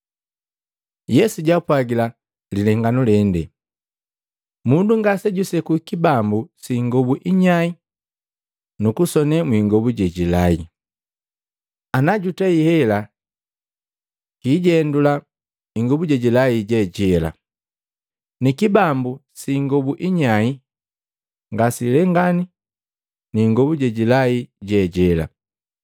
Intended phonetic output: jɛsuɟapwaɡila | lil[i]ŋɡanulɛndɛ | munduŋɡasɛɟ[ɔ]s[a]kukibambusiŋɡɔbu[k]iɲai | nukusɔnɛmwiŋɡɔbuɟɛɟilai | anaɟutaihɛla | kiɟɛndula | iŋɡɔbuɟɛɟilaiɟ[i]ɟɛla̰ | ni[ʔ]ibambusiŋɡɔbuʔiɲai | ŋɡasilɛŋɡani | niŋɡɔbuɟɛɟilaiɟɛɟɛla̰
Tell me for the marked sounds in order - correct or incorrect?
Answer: incorrect, incorrect, incorrect, incorrect, incorrect, incorrect

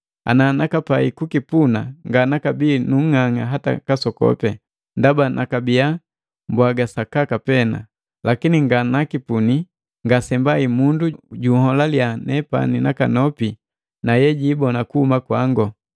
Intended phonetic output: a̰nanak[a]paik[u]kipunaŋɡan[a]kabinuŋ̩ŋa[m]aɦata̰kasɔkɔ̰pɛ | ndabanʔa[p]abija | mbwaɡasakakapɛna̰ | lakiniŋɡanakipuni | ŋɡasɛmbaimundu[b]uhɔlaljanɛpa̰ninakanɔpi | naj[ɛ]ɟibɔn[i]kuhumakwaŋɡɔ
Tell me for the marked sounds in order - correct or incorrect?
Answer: correct, correct, correct, incorrect, incorrect, incorrect, correct, incorrect

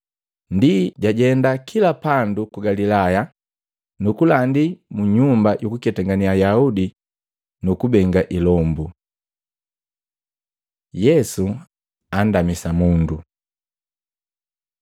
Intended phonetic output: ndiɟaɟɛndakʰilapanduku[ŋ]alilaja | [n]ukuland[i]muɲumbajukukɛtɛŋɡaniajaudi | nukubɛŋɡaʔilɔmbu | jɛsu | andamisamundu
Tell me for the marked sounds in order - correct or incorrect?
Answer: incorrect, correct, correct

